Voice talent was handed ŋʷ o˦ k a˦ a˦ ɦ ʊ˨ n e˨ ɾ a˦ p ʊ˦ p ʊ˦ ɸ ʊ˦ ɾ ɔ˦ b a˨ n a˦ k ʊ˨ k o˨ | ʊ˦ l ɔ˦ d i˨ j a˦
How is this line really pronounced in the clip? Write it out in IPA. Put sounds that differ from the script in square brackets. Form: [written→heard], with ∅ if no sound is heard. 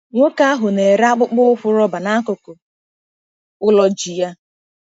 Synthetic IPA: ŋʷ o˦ k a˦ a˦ ɦ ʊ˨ n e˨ ɾ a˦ [p→k͡p] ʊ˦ [p→k͡p] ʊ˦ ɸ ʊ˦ ɾ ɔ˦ b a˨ n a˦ k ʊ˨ k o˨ | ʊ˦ l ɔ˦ [d→d͡ʒ] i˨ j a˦